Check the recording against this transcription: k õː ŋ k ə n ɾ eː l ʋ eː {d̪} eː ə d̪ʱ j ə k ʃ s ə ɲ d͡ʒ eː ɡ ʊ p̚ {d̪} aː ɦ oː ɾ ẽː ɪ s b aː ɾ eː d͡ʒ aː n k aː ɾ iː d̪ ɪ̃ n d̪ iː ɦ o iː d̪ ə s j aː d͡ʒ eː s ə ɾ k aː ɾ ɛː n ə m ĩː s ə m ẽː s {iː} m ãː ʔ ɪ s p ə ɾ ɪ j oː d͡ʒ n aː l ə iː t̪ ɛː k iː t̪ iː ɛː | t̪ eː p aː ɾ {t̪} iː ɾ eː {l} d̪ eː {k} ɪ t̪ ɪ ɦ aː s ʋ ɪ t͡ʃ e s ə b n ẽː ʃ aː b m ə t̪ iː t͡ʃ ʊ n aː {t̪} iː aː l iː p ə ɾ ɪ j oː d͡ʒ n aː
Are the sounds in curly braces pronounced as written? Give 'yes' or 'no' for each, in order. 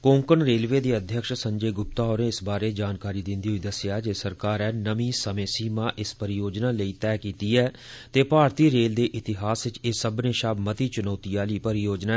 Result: yes, no, yes, yes, yes, no, yes

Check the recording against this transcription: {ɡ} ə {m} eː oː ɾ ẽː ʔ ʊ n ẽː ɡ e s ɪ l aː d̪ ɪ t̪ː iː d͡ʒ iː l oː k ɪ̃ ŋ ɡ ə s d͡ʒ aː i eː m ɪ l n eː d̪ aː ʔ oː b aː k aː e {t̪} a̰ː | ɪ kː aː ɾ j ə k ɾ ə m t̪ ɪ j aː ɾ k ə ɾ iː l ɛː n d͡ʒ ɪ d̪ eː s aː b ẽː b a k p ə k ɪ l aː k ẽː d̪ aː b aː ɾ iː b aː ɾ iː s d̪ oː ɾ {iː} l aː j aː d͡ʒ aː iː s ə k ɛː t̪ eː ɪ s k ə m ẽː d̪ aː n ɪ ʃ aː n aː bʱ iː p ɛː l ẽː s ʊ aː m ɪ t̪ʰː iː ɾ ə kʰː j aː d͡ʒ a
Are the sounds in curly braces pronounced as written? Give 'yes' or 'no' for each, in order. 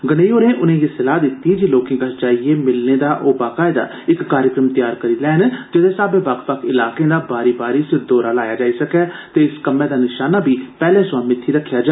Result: yes, no, no, no

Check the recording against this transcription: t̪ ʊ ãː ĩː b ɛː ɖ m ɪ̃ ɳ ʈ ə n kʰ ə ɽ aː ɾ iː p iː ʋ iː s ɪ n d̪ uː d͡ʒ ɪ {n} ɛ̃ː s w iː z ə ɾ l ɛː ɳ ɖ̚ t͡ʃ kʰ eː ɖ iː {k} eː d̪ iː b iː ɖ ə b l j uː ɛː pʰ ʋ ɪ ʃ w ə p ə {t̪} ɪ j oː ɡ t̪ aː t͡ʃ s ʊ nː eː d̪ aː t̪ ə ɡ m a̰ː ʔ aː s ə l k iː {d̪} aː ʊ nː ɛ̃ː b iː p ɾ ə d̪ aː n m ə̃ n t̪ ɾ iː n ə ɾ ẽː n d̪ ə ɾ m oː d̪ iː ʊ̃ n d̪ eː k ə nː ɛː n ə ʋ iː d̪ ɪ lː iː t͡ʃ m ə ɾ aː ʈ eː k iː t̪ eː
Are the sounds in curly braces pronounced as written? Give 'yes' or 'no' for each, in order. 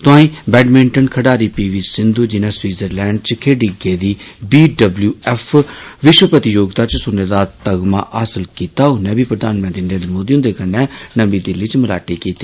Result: yes, no, yes, no

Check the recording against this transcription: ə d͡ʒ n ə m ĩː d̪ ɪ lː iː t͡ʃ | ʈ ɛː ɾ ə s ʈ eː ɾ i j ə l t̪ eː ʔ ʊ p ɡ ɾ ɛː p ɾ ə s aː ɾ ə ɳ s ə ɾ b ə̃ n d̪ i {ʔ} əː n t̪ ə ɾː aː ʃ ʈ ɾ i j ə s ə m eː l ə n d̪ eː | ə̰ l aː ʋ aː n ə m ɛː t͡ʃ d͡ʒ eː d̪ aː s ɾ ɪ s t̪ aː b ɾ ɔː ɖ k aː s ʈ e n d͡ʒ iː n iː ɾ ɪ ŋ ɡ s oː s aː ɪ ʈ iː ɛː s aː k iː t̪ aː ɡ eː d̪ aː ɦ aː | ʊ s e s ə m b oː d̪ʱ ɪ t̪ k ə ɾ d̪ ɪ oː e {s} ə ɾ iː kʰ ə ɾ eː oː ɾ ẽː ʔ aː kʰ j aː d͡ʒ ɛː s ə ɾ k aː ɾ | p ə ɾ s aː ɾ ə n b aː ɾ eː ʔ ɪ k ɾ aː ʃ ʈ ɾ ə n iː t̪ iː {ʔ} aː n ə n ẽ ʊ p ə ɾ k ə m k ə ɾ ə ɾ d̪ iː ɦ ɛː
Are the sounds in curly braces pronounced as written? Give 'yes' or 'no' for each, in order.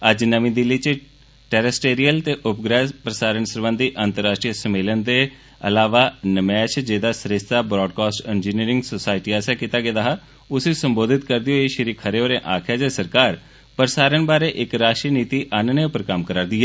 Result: yes, no, yes

